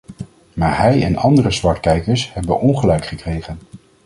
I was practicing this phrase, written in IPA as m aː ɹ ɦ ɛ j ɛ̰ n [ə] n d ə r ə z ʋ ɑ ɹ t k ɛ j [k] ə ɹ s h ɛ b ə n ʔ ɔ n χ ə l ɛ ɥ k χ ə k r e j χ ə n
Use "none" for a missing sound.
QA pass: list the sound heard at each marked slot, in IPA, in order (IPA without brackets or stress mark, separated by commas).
ɑ, k